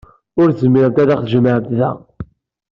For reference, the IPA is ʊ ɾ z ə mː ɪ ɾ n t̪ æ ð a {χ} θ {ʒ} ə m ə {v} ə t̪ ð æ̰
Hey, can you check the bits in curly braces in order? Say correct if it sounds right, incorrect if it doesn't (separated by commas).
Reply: correct, correct, incorrect